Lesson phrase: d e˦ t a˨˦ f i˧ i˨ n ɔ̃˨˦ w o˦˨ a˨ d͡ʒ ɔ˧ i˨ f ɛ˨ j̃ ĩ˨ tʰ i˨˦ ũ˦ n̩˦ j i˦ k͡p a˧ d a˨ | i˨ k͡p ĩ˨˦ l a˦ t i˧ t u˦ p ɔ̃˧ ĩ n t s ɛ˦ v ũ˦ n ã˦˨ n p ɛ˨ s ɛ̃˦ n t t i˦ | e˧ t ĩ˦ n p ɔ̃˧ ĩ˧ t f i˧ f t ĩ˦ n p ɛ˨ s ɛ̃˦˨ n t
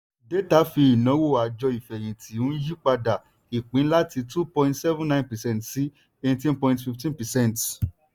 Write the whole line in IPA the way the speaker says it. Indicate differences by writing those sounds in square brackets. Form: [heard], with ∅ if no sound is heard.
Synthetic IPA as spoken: d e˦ t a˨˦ f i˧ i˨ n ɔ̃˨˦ w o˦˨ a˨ d͡ʒ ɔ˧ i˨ f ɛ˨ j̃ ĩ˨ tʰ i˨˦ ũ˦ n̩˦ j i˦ k͡p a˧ d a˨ | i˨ k͡p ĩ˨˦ l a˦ t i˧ t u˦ p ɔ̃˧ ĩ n t s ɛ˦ v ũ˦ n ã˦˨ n p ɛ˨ s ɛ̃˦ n t [s] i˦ | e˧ t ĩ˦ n p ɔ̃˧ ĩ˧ t f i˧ f t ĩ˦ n p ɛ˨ s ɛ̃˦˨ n t

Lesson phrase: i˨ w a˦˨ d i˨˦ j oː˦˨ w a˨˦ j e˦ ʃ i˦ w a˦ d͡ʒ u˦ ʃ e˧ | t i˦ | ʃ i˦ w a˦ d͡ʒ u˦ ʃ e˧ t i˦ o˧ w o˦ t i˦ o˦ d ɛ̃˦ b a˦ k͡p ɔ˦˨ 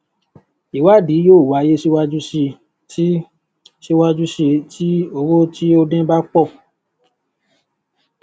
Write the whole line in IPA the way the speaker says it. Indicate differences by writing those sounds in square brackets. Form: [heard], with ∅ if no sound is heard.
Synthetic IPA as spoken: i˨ w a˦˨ d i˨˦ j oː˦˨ w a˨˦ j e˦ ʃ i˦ w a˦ d͡ʒ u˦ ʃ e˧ | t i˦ | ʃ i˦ w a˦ d͡ʒ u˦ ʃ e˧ t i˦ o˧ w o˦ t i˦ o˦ d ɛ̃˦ b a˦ k͡p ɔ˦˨

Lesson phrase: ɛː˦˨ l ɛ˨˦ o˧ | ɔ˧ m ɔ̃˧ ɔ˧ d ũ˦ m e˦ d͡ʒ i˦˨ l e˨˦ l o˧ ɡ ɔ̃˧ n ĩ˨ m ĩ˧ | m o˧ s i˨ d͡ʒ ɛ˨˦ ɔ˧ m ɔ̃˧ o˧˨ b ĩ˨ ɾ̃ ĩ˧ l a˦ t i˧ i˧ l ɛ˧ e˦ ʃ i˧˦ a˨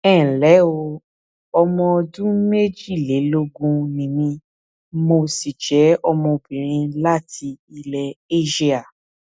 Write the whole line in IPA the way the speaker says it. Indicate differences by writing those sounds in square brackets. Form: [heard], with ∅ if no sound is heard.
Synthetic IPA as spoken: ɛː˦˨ l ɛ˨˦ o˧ | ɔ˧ m ɔ̃˧ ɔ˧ d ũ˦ m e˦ d͡ʒ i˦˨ l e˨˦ l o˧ ɡ [ũ˧] n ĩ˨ m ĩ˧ | m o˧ s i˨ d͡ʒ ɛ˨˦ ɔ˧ m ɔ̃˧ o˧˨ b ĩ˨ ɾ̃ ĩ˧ l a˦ t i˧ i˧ l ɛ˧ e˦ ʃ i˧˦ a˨

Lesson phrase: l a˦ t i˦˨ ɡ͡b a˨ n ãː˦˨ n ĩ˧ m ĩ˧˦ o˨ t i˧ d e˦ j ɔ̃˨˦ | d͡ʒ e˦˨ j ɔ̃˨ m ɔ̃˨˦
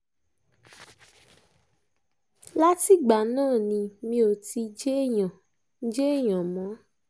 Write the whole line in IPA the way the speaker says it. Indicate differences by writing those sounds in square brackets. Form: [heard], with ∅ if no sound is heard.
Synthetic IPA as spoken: l a˦ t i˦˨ ɡ͡b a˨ n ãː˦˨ n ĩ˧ m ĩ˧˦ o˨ t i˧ [d͡ʒ] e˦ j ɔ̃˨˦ | d͡ʒ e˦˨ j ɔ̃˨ m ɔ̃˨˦

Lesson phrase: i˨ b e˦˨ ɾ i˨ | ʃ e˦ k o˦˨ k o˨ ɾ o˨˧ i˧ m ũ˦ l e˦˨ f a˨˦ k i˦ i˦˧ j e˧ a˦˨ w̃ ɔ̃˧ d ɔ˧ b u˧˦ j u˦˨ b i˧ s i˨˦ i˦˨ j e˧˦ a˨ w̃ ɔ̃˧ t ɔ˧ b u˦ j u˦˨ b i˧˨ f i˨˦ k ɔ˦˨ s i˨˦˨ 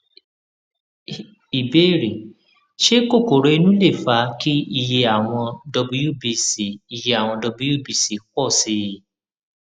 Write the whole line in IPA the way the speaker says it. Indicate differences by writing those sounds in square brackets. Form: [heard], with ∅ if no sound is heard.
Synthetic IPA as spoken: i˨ b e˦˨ ɾ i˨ | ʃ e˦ k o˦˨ k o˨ ɾ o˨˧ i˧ [n] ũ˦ l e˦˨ f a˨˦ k i˦ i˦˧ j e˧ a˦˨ w̃ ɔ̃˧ d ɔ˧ b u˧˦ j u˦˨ b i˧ s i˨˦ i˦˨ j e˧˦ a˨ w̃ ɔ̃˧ [d] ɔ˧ b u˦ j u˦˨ b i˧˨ [s] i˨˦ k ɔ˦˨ s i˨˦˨

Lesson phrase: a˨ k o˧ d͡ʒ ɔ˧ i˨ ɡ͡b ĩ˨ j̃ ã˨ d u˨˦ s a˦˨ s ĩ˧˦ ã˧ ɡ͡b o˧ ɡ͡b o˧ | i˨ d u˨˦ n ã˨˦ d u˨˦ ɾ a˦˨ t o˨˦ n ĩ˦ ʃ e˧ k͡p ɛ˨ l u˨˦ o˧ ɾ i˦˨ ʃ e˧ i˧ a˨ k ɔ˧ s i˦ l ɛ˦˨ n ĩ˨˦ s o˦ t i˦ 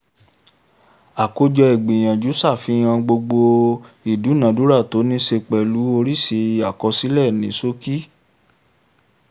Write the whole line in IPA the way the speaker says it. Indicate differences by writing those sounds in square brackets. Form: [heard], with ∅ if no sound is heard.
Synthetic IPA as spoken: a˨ k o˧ d͡ʒ ɔ˧ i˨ ɡ͡b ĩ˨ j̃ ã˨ [d͡ʒ] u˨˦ s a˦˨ [f] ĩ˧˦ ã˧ ɡ͡b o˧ ɡ͡b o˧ | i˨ d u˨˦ n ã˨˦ d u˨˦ ɾ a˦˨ t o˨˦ n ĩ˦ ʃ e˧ k͡p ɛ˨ l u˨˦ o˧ ɾ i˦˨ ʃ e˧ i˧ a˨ k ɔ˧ s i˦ l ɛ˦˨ n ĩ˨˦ s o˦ [k] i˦

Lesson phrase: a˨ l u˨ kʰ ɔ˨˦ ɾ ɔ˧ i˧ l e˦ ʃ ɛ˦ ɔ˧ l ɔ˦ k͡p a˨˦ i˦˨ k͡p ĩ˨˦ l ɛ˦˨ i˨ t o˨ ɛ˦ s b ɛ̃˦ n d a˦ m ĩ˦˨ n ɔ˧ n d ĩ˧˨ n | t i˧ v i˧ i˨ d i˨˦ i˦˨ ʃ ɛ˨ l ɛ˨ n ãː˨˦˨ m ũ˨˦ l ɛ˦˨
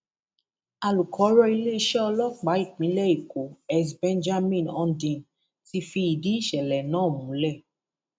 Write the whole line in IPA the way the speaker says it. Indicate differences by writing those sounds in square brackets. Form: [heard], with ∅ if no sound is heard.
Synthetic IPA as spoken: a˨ l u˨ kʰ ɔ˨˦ ɾ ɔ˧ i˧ l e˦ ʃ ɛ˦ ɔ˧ l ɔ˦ k͡p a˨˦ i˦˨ k͡p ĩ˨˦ l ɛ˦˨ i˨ [k] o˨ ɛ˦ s b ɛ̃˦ n [d͡ʒ] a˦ m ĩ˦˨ n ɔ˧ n d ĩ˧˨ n | t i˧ [f] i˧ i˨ d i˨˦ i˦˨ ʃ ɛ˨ l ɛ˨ n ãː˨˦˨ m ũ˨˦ l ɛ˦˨

